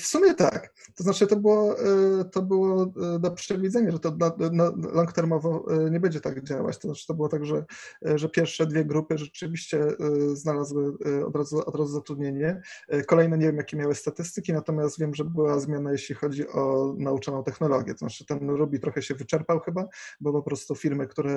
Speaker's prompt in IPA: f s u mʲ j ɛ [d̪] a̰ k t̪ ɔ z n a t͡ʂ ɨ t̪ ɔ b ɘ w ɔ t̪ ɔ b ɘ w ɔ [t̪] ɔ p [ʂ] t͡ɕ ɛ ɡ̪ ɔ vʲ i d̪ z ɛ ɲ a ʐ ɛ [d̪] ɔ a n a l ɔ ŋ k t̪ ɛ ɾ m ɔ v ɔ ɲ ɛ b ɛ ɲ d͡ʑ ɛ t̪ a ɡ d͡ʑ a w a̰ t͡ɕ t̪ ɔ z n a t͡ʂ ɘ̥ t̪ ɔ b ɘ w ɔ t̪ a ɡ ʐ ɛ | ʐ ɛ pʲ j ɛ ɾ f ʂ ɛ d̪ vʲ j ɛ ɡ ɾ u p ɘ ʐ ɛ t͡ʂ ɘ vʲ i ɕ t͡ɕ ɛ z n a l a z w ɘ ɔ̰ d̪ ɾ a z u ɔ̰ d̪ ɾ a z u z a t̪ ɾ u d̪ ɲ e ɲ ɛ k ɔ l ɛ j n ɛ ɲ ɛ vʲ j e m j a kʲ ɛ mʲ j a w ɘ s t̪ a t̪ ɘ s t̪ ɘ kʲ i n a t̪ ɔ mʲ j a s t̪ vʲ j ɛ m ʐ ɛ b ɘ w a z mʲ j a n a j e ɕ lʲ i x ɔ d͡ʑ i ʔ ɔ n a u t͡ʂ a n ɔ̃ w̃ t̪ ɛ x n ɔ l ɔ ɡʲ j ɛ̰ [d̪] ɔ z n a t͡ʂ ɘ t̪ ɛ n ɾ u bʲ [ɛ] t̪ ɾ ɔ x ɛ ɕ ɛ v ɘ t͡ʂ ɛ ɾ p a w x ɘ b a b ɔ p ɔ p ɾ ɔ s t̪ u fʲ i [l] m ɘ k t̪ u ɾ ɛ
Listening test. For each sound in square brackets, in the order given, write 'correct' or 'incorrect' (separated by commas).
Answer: incorrect, incorrect, correct, incorrect, incorrect, incorrect, incorrect